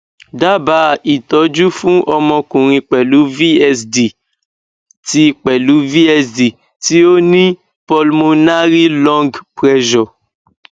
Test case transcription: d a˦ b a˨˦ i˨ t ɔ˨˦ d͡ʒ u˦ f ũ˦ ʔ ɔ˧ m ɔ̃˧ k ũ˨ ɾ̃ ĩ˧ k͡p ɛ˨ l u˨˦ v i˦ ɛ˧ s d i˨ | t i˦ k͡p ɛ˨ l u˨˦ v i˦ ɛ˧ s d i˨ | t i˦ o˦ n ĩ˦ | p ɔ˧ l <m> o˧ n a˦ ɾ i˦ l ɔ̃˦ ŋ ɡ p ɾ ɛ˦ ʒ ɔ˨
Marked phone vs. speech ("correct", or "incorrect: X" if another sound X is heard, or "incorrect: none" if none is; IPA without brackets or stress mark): correct